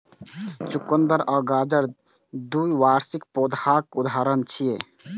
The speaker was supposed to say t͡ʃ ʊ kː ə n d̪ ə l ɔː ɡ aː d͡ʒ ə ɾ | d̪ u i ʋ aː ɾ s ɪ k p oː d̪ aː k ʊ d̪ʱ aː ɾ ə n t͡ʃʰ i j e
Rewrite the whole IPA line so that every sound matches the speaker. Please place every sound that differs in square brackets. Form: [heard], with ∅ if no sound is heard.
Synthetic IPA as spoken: t͡ʃ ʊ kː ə n d̪ ə [ɾ] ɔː ɡ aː d͡ʒ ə ɾ | d̪ u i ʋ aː ɾ s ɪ k p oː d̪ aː k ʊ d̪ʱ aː ɾ ə n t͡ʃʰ i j e